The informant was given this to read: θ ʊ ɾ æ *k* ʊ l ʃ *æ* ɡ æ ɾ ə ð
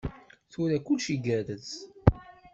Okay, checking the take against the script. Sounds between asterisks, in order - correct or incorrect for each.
correct, incorrect: i

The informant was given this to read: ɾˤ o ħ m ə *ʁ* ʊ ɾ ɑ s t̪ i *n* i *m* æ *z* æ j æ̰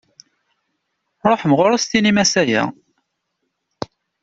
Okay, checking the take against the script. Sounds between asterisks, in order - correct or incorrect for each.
correct, correct, correct, incorrect: s

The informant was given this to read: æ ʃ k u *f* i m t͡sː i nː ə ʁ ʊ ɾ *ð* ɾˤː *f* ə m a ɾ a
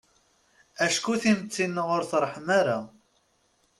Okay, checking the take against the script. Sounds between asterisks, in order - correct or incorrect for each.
incorrect: θ, incorrect: θ, incorrect: ħ

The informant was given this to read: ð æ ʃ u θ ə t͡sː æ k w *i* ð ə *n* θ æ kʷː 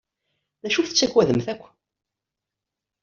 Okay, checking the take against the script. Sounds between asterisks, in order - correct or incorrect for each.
incorrect: æ, incorrect: m

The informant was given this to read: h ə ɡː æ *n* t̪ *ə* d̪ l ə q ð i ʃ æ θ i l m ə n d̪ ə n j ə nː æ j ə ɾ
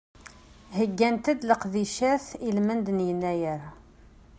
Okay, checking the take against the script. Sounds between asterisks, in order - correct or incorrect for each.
correct, correct

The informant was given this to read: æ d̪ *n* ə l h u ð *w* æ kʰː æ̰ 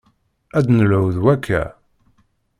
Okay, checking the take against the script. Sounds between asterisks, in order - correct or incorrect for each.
correct, correct

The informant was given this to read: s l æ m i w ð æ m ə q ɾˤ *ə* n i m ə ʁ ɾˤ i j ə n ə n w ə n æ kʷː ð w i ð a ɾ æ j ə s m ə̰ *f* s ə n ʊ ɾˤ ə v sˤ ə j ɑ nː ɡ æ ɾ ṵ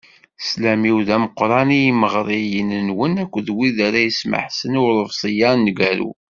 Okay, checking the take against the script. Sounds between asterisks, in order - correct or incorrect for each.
incorrect: ɑ, incorrect: ħ

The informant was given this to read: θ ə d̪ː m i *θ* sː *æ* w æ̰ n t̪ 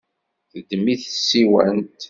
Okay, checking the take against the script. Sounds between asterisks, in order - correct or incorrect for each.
correct, incorrect: i

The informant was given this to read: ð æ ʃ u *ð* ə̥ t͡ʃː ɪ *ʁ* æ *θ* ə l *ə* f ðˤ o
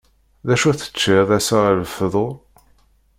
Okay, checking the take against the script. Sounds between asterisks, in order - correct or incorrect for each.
incorrect: θ, incorrect: ð, incorrect: s, correct

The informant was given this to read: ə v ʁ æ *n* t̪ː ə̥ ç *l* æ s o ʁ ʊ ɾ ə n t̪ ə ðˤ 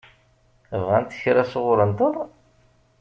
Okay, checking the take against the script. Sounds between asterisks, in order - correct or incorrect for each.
correct, incorrect: ɾ

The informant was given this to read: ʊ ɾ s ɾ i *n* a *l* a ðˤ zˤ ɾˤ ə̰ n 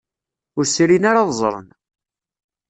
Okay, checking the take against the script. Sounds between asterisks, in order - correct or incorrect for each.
correct, incorrect: ɾ

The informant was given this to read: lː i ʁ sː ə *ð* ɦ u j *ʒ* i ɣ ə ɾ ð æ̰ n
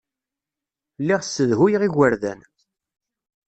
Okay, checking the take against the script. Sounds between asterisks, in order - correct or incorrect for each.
correct, incorrect: ʁ

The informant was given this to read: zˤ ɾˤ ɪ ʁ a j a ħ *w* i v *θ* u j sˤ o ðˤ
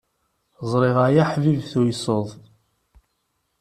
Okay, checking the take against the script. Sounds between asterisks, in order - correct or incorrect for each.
incorrect: v, correct

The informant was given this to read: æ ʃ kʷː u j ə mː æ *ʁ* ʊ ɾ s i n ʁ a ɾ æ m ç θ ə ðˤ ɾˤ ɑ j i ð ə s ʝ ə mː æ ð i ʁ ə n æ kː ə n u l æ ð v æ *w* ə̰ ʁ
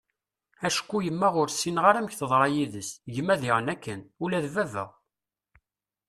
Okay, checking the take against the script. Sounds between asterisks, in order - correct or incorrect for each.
correct, incorrect: v

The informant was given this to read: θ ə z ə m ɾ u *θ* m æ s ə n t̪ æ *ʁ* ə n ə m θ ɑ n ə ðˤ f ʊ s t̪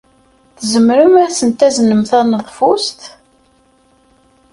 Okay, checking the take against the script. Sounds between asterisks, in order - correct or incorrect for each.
incorrect: none, incorrect: z

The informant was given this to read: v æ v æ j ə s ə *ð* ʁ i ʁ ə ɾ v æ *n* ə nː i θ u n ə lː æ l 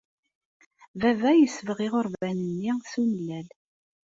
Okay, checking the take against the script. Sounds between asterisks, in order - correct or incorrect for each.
incorrect: v, correct

